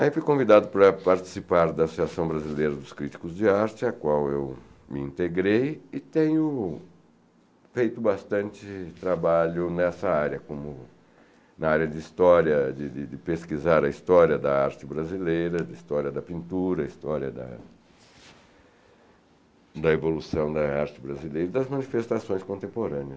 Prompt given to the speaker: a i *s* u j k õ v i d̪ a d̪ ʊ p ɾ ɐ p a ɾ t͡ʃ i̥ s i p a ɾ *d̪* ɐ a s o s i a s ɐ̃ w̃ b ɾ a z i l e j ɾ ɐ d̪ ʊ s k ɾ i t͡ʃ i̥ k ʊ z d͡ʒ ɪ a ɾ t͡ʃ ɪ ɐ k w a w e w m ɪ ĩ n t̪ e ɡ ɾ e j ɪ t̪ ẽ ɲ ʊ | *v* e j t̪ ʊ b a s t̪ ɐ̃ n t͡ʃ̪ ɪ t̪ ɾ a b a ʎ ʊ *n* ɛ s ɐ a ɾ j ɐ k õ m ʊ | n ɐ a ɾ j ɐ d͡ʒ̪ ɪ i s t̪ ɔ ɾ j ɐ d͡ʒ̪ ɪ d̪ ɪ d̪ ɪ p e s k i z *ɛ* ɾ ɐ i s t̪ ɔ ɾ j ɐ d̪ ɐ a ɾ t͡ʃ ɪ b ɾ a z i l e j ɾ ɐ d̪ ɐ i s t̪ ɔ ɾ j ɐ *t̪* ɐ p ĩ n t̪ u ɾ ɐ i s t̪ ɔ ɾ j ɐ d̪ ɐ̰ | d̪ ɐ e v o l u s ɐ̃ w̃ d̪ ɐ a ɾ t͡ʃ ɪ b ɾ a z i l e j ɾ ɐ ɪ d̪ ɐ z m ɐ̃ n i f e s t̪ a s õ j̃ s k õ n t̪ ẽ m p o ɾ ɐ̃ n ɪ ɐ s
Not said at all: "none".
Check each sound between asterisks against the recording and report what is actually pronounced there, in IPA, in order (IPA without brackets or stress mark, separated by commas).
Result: f, d̪, f, n, a, d̪